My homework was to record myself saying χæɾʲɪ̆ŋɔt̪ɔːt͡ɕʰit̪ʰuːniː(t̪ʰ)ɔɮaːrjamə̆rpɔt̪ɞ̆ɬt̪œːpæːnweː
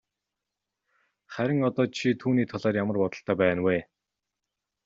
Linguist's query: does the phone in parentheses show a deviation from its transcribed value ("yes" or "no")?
no